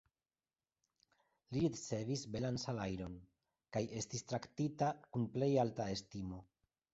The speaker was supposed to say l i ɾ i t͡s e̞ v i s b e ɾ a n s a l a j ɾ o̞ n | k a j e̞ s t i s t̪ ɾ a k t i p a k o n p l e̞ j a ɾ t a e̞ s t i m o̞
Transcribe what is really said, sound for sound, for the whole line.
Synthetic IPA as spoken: l i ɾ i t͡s e̞ v i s b e l a n s a l a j ɾ o̞ n | k a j e̞ s t i s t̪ ɾ a k t i t a k u n p l e̞ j a l t a e̞ s t i m o̞